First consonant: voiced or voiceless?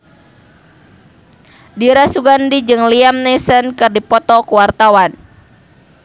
voiced